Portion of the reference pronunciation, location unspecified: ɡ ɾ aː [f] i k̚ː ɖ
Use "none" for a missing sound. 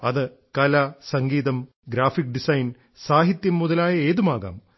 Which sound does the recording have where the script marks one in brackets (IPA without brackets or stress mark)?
f